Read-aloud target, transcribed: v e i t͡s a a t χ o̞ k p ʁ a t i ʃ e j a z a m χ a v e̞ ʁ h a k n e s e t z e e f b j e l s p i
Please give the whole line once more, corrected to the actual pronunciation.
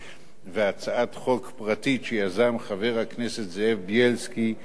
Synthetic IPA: v e a t͡s a a t χ o̞ k p ʁ a t i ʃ e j a z a m χ a v e̞ ʁ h a k n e s e t z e e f b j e l s k i